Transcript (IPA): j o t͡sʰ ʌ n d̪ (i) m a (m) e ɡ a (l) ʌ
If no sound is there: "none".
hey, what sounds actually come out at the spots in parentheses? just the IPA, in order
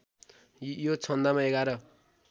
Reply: a, none, ɾ

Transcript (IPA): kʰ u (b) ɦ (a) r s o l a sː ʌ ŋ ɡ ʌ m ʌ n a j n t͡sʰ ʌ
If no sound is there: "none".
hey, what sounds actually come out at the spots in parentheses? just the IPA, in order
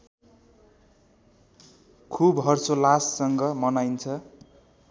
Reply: b, ʌ

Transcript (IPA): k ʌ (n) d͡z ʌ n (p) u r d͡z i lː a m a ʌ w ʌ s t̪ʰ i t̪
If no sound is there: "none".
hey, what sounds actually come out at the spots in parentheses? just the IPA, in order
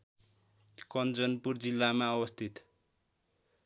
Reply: n, p

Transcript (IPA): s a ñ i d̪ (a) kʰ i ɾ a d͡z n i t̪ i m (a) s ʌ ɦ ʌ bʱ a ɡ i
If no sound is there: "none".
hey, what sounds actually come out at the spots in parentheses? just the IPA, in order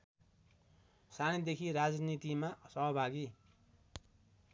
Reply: e, a

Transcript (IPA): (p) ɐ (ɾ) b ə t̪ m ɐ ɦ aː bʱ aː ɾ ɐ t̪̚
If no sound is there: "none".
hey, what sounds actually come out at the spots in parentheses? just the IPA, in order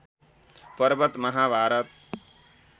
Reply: p, ɾ

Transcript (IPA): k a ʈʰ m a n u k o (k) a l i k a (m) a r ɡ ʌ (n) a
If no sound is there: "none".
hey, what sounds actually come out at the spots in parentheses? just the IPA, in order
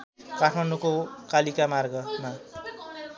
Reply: k, m, m

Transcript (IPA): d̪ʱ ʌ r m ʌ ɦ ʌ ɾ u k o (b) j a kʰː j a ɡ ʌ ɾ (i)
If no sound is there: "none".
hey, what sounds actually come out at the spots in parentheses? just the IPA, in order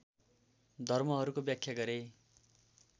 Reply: b, e

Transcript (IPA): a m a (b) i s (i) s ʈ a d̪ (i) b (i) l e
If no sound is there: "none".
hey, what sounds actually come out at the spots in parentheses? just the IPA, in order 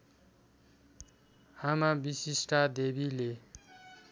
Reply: b, i, e, i

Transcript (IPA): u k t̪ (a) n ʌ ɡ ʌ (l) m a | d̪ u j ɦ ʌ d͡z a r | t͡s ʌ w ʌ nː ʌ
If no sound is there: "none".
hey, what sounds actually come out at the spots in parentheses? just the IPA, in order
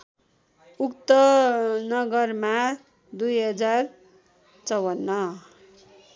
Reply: ʌ, r

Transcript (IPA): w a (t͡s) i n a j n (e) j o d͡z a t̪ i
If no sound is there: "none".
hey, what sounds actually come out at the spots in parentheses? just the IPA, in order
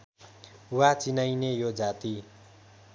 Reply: t͡s, e

